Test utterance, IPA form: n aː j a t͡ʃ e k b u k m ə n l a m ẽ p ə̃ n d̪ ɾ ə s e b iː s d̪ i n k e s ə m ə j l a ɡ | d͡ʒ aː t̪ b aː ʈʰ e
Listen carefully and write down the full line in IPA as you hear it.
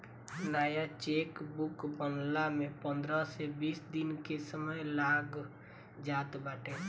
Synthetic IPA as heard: n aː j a t͡ʃ e k b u k b ə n l a m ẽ p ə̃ n d̪ ɾ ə s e b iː s d̪ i n k e s ə m ə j l a ɡ | d͡ʒ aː t̪ b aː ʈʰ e